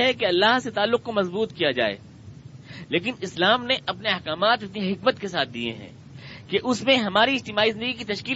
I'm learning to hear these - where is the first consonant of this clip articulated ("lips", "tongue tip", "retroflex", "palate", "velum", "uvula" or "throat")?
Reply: throat